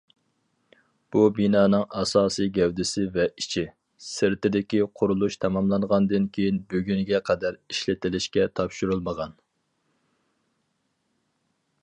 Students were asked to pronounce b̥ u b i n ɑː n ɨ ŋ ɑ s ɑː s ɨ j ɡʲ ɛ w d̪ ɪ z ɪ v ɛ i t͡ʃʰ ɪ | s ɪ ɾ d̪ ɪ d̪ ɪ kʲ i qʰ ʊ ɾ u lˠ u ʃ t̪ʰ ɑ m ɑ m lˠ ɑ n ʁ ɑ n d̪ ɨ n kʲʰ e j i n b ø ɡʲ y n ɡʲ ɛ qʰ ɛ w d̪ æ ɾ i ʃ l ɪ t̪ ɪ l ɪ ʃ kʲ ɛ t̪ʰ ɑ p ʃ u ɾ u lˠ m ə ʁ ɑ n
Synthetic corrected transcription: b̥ u b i n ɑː n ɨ ŋ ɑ s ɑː s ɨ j ɡʲ ɛ w d̪ ɪ s ɪ v ɛ i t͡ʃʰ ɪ | s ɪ ɾ t̪ ɪ d̪ ɪ kʲ i qʰ ʊ ɾ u lˠ u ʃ t̪ʰ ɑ m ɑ m lˠ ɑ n ʁ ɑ n d̪ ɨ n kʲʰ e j i n b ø ɡʲ y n ɡʲ ɛ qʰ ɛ d̪ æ ɾ i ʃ l ɪ t̪ ɪ l ɪ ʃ kʲ ɛ t̪ʰ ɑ p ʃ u ɾ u lˠ m ə ʁ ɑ n

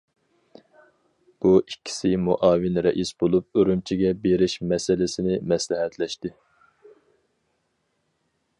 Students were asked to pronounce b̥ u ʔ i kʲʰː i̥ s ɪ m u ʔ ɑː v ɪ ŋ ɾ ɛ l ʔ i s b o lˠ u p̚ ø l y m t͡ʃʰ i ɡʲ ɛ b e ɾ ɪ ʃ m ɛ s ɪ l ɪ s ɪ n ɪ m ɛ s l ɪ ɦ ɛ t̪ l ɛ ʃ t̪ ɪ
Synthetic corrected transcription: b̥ u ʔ i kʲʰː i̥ s ɪ m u ʔ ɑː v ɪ n ɾ ɛ ʔ i s b o lˠ u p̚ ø ɾ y m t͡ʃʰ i ɡʲ ɛ b e ɾ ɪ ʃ m ɛ s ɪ l ɪ s ɪ n ɪ m ɛ s l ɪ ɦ ɛ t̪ l ɛ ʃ t̪ ɪ

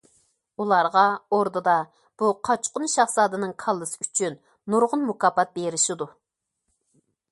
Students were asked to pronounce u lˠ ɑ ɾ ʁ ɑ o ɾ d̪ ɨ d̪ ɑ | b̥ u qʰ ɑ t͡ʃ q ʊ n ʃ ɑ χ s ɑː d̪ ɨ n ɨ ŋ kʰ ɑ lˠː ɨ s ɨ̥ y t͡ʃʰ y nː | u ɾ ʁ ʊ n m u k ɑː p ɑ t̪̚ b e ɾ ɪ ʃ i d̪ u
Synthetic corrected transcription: u lˠ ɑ ɾ ʁ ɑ o ɾ d̪ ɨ d̪ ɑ | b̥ u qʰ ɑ t͡ʃ q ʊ n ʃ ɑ χ s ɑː d̪ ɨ n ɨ ŋ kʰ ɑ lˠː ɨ s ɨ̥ y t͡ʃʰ y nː | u ɾ ʁ ʊ n m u k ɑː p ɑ t̪̚ b e ɾ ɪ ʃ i d̪ u

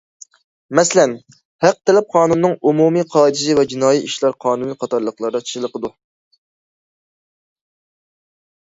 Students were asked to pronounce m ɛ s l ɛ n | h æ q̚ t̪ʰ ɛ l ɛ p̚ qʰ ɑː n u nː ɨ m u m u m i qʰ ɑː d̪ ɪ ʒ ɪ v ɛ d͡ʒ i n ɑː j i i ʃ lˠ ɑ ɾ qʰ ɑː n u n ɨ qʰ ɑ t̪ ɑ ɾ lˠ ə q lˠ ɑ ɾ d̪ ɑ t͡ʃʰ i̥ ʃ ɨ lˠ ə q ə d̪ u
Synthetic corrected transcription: m ɛ s l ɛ n | h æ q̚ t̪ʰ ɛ l ɛ p̚ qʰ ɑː n u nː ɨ ŋ u m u m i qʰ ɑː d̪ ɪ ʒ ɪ v ɛ d͡ʒ i n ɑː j i i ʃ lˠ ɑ ɾ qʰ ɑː n u n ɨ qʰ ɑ t̪ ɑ ɾ lˠ ə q lˠ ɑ ɾ d̪ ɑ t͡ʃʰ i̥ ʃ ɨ lˠ ə q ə d̪ u

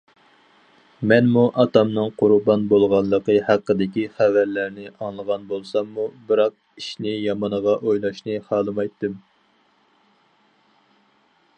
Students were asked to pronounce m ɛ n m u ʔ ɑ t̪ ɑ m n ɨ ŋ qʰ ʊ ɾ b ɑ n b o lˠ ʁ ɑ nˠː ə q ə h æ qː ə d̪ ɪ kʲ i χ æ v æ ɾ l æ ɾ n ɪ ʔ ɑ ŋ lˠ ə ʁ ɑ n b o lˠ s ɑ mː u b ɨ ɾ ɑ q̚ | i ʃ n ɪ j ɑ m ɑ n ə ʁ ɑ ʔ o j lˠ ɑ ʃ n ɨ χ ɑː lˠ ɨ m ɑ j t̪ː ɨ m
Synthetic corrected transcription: m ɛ n m u ʔ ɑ t̪ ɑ m n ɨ ŋ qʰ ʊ ɾ b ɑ n b o lˠ ʁ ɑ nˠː ə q ə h æ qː ə d̪ ɪ kʲ i χ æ v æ ɾ l æ ɾ n ɪ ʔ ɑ ŋ lˠ ə ʁ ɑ n b o lˠ s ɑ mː u b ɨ ɾ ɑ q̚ | i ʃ n ɪ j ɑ m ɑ n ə ʁ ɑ ʔ o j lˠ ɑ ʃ n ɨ χ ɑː lˠ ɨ m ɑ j t̪ː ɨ m

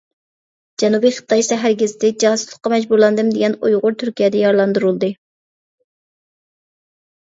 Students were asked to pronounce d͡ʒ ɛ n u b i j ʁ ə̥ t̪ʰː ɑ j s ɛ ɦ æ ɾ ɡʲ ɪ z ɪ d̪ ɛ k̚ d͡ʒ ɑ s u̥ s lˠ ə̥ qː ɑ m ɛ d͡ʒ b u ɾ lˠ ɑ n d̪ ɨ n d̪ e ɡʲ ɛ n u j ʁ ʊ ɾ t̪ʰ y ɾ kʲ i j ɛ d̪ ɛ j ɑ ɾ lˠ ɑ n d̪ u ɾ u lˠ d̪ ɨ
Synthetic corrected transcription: d͡ʒ ɛ n u b i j χ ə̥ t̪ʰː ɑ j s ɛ ɦ æ ɾ ɡʲ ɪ z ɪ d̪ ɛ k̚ d͡ʒ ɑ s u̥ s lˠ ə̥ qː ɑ m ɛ d͡ʒ b u ɾ lˠ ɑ n d̪ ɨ m d̪ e ɡʲ ɛ n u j ʁ ʊ ɾ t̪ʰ y ɾ kʲ i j ɛ d̪ ɛ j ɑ ɾ lˠ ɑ n d̪ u ɾ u lˠ d̪ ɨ

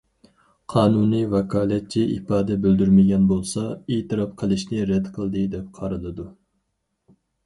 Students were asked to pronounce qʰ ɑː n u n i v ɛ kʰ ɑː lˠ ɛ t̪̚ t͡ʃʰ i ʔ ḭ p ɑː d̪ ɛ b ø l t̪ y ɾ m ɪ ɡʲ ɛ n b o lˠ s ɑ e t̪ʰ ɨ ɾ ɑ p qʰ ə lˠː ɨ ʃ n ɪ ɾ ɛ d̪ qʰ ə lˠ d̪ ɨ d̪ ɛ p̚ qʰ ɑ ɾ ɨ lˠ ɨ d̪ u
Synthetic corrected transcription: qʰ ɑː n u n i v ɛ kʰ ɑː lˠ ɛ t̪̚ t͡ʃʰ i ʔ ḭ p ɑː d̪ ɛ b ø l d̪ y ɾ m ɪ ɡʲ ɛ n b o lˠ s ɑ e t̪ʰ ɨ ɾ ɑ p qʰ ə lˠ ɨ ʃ n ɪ ɾ ɛ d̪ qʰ ə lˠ d̪ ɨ d̪ ɛ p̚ qʰ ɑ ɾ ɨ lˠ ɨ d̪ u

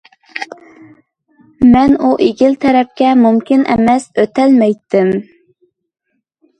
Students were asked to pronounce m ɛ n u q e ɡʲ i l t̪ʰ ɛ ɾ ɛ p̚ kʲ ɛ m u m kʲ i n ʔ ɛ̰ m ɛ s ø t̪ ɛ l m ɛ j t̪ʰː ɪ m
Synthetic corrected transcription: m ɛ n u ʔ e ɡʲ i l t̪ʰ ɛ ɾ ɛ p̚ kʲ ɛ m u m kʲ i n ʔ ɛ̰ m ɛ s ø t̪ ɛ l m ɛ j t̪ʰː ɪ m

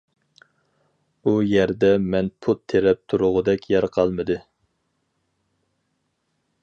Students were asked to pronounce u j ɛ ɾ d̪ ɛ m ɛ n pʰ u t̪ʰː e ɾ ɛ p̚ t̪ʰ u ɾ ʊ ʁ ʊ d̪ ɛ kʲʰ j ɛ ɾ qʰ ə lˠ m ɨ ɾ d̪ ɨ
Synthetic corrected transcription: u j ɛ ɾ d̪ ɛ m ɛ n pʰ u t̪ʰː e ɾ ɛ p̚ t̪ʰ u ɾ ʊ ʁ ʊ d̪ ɛ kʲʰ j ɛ ɾ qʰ ɑ lˠ m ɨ d̪ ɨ

